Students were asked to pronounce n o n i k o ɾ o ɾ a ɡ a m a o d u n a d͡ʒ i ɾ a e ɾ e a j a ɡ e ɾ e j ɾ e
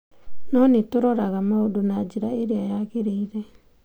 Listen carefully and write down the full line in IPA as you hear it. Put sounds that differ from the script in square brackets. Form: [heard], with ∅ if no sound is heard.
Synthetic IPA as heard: n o n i [t] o ɾ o ɾ a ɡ a m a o d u n a d͡ʒ i ɾ a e ɾ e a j a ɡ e ɾ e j ɾ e